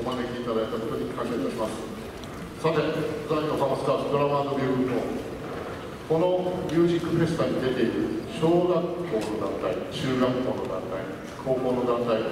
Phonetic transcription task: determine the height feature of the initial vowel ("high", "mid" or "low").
mid